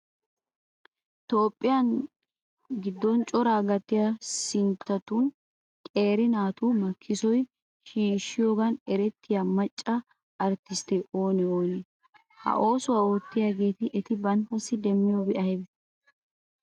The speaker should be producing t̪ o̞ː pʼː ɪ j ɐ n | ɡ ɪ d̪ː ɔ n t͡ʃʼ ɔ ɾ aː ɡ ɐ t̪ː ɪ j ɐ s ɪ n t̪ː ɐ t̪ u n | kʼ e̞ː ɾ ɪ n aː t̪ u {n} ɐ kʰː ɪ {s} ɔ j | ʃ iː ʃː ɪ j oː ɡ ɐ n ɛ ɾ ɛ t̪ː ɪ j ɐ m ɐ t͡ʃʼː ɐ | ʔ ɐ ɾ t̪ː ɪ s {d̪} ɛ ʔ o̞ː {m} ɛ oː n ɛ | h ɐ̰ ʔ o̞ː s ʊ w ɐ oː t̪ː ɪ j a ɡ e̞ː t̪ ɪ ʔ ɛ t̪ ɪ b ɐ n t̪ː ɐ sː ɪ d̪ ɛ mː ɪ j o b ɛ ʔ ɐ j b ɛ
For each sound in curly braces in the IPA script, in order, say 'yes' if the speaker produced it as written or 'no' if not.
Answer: no, yes, no, no

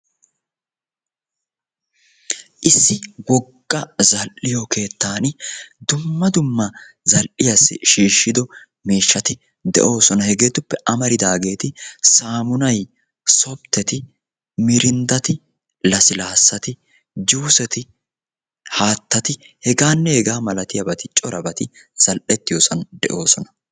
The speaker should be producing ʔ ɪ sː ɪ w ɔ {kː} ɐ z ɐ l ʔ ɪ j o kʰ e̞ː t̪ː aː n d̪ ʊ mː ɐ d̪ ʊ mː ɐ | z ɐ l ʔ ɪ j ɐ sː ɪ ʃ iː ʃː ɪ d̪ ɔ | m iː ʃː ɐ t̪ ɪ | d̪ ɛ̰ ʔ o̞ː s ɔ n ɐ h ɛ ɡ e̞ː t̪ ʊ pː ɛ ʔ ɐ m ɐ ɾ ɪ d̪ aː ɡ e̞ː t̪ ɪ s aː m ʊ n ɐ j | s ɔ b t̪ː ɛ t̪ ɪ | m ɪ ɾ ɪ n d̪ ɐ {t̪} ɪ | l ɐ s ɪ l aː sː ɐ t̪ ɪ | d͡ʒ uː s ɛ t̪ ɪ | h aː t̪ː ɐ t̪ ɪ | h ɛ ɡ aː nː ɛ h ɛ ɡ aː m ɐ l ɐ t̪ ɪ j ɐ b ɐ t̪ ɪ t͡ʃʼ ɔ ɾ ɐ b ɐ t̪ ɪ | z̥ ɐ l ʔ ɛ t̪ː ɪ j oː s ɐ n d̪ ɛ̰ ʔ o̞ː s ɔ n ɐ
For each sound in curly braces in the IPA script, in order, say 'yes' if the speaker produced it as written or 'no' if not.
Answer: no, yes

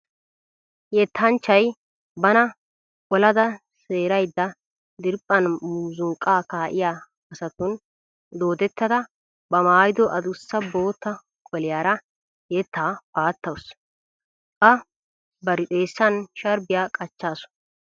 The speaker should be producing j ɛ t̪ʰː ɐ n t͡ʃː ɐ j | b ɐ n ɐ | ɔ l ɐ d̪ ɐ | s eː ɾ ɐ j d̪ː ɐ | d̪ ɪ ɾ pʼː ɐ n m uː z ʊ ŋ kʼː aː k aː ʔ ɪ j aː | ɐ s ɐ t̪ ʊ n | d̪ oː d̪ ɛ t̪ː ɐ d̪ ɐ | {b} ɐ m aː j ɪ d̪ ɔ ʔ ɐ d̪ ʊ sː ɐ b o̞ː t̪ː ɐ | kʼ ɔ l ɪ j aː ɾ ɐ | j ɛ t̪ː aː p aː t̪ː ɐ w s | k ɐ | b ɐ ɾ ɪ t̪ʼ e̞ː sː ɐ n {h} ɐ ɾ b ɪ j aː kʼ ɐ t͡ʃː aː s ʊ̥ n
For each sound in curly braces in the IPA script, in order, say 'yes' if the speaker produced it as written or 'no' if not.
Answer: yes, no

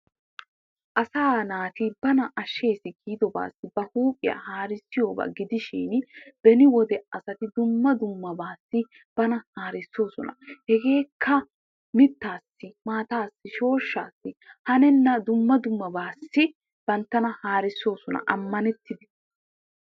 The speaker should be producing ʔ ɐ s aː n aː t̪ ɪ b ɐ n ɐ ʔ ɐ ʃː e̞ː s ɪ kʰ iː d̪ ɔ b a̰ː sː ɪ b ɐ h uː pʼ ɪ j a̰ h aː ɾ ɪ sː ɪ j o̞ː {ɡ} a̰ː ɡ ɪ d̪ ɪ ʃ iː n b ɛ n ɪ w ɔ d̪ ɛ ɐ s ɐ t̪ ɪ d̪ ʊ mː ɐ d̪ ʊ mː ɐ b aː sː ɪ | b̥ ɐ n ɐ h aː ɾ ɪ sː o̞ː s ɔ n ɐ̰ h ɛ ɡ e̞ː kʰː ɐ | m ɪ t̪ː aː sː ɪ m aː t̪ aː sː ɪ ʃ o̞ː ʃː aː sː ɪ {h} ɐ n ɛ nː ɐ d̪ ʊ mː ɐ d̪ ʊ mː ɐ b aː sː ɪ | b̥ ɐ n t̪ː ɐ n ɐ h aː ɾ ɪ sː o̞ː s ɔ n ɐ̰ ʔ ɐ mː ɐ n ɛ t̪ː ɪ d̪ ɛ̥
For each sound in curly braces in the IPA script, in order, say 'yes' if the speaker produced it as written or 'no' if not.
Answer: no, yes

